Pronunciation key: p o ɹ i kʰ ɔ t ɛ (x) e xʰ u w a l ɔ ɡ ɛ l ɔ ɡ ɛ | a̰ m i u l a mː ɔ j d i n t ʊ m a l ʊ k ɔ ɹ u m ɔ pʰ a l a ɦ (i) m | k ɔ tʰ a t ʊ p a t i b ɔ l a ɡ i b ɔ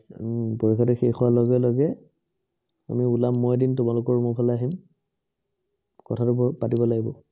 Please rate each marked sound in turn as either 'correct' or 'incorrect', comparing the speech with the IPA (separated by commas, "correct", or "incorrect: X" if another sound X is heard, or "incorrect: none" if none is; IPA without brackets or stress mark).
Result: correct, correct